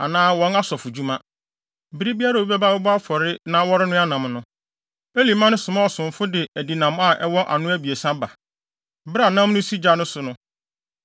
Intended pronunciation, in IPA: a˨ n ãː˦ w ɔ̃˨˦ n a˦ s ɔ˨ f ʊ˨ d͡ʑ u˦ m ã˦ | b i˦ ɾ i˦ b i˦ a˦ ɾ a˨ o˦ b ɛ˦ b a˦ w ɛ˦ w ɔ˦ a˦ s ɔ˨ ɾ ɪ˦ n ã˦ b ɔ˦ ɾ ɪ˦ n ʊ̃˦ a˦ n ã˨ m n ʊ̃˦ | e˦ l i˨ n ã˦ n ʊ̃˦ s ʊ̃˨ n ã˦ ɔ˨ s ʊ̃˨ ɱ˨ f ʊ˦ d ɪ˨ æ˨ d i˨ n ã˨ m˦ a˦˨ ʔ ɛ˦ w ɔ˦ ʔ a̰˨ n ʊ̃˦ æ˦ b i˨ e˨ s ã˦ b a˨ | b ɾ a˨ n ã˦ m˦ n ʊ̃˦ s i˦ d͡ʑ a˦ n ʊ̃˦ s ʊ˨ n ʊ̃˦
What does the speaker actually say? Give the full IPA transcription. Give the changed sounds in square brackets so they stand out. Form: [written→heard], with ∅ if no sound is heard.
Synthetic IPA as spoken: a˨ n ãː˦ w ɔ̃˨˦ n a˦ s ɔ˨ f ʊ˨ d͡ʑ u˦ m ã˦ | b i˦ ɾ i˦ b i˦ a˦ ɾ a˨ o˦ b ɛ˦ b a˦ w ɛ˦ [w→b] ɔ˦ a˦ [s→f] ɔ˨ ɾ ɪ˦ n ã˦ [b→w] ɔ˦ ɾ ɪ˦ n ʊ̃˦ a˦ n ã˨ m n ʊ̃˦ | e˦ l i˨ [n→m] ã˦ n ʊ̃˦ s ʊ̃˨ [n→m] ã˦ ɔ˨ s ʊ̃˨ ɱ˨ f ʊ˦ d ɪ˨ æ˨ d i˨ n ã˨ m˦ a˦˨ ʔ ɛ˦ w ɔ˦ ʔ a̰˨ n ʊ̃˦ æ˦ b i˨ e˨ s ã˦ b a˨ | b ɾ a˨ n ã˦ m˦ n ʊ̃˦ s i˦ d͡ʑ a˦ n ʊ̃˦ s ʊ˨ n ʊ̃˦